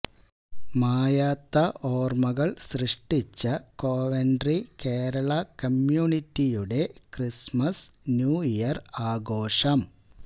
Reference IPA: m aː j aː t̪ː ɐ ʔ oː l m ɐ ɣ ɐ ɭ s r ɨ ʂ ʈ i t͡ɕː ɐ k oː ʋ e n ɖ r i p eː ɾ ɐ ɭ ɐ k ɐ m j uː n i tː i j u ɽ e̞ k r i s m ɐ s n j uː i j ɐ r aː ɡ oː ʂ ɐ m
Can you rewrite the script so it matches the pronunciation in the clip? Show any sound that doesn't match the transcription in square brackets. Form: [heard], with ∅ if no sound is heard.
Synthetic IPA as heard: m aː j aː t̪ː ɐ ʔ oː [r] m ɐ ɣ ɐ ɭ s r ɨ ʂ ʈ i t͡ɕː ɐ k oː ʋ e n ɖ r i [k] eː ɾ ɐ ɭ ɐ k ɐ m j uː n i tː i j u ɽ e̞ k r i s m ɐ s n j uː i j ɐ r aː ɡ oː ʂ ɐ m